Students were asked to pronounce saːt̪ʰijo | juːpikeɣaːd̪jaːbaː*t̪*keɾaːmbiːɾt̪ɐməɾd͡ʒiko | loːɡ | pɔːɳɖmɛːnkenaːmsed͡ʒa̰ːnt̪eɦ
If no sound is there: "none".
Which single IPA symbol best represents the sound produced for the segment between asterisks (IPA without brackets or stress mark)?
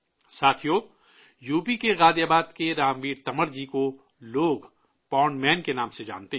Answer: d̪